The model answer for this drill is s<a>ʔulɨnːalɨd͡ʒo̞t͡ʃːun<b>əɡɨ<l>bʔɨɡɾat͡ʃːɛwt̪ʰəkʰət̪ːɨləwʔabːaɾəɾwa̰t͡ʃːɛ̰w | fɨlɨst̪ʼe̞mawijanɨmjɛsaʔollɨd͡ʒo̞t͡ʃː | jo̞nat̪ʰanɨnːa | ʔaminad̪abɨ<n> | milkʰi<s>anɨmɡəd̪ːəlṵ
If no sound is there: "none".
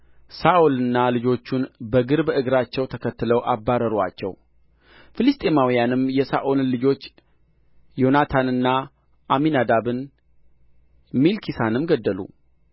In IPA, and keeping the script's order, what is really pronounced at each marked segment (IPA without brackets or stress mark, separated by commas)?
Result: a, b, ɾ, n, s